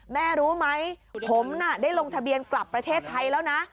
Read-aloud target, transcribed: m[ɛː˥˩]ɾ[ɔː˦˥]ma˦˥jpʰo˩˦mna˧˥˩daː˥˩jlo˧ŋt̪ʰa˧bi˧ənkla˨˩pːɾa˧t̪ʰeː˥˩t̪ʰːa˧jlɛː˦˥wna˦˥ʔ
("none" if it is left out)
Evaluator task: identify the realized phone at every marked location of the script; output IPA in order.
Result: ɛː˥˩, uː˦˥

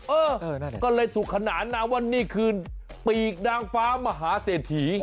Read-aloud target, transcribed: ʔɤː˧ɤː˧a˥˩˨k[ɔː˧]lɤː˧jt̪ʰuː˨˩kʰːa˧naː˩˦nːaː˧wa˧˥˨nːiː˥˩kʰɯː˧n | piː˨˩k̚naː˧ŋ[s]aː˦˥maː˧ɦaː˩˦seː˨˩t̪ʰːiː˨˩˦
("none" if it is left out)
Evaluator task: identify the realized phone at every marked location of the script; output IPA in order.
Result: ɔː˥˩, f

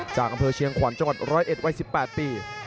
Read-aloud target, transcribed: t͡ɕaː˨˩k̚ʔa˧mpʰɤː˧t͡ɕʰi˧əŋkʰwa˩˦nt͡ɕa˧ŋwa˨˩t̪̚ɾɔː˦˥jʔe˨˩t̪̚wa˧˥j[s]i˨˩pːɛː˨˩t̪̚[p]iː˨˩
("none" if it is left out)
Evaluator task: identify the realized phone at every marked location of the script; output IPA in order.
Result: s, p

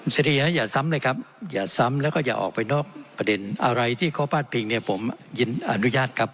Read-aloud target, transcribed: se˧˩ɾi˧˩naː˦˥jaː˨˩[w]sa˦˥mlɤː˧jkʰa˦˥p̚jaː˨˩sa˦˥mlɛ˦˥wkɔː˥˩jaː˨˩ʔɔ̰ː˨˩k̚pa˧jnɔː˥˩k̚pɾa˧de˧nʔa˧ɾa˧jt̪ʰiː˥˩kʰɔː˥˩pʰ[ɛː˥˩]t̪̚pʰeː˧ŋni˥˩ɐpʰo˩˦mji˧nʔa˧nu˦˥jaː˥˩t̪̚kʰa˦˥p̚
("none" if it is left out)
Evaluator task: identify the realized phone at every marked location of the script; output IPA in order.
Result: none, aː˥˩

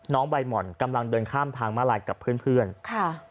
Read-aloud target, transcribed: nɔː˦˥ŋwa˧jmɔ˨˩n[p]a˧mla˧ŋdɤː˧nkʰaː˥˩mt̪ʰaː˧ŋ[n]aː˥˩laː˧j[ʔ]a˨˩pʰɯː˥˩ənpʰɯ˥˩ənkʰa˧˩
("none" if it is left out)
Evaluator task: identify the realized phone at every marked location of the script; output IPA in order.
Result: k, m, k

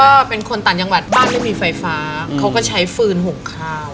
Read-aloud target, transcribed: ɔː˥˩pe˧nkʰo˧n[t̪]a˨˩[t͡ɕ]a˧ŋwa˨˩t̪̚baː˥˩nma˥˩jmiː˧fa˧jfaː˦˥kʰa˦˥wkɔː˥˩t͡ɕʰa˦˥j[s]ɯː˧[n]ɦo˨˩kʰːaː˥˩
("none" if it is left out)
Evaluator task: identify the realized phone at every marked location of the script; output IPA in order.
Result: t̪, t͡ɕ, f, n

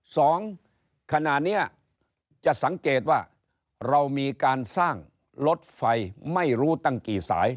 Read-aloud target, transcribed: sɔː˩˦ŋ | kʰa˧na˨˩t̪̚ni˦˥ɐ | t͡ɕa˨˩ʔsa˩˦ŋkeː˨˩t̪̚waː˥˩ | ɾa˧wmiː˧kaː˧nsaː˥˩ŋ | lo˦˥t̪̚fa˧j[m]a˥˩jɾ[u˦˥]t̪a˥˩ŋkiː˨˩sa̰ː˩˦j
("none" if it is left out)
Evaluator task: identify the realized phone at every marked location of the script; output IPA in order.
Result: m, uː˦˥

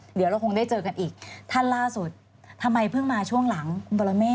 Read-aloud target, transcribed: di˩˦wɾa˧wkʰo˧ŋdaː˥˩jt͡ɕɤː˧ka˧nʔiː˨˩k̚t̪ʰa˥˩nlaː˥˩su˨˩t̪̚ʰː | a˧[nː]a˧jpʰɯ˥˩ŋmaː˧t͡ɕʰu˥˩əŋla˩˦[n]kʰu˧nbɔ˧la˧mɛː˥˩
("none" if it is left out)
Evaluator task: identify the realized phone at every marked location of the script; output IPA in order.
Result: mː, ŋ

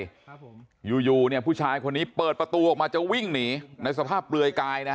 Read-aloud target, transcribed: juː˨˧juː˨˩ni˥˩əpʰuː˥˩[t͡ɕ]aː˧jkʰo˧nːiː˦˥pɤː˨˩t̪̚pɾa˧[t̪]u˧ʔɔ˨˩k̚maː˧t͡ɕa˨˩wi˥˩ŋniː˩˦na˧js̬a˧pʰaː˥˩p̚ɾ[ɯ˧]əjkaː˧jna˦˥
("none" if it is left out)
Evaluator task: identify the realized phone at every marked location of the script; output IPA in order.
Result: t͡ɕʰ, t̪, ɯ˧

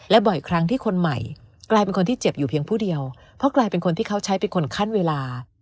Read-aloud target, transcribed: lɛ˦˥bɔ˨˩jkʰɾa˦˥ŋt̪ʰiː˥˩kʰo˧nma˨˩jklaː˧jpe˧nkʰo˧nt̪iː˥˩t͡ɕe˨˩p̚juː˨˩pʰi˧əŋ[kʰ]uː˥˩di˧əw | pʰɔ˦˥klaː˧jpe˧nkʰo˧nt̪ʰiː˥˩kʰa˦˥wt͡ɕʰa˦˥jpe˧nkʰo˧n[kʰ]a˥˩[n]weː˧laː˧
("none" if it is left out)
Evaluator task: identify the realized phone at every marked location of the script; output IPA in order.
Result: pʰ, kʰ, n

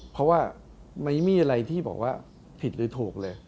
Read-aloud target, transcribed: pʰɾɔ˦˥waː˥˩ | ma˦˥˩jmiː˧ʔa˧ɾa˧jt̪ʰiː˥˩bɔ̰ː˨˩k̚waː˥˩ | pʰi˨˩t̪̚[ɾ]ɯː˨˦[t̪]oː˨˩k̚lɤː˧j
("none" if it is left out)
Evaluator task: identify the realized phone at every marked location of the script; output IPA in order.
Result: ɾ, t̪ʰ

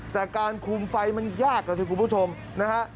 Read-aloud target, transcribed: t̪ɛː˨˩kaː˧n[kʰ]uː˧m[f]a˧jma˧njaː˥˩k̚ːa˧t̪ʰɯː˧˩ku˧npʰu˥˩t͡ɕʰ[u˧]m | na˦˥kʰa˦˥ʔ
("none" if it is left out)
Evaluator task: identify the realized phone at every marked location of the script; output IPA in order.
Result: kʰ, f, o˧

